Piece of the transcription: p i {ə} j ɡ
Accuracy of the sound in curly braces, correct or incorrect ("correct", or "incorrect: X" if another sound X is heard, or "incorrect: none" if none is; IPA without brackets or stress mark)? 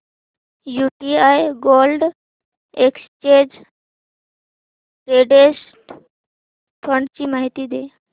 incorrect: a